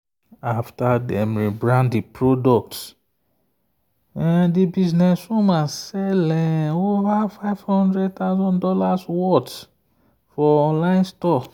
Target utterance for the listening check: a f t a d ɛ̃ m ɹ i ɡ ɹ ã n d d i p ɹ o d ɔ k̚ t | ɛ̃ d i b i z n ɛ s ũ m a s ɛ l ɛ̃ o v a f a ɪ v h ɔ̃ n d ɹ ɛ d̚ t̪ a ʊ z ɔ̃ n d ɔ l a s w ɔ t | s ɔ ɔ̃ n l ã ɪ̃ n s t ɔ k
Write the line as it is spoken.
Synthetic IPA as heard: a f t a d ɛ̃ m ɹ i b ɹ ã n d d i p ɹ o d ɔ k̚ t | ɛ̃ d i b i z n ɛ s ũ m a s ɛ l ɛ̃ o v a f a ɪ v h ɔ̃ n d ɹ ɛ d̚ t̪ a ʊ z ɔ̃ n d ɔ l a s w ɔ t | f ɔ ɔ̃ n l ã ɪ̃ n s t ɔ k